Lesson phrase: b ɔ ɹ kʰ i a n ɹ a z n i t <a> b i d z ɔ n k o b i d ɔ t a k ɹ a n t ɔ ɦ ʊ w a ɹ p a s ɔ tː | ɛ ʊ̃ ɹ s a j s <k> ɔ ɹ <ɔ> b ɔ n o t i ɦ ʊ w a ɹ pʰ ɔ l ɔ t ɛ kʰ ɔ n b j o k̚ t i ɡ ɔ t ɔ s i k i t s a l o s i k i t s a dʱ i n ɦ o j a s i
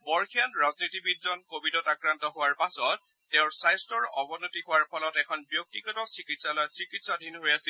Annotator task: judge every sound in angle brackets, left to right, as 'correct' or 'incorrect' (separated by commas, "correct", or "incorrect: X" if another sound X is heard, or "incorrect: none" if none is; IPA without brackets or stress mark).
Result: incorrect: i, incorrect: t, correct